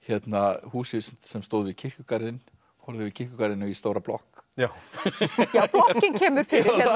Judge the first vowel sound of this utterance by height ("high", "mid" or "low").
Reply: mid